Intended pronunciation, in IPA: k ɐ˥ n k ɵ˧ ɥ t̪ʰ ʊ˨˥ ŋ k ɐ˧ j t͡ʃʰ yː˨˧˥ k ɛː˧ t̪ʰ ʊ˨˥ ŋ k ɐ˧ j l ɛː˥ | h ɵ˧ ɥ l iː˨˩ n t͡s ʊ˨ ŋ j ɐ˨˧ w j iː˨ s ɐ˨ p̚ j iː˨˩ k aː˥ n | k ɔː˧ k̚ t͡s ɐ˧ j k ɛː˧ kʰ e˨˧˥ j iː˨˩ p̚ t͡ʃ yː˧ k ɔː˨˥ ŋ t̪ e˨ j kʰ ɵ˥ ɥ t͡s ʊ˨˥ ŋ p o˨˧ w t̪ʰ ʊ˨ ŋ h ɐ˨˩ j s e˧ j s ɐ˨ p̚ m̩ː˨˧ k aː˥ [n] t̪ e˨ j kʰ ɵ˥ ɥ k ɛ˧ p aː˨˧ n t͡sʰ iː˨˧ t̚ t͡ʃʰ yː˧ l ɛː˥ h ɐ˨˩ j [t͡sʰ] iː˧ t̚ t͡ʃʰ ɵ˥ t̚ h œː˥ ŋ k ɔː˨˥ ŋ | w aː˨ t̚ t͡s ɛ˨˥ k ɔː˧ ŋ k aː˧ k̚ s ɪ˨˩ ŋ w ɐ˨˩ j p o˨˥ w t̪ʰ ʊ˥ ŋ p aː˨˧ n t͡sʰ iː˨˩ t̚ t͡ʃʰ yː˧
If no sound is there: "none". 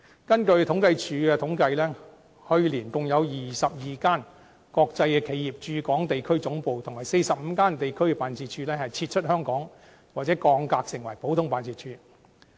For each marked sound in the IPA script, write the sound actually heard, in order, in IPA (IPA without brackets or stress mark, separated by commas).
n, t͡sʰ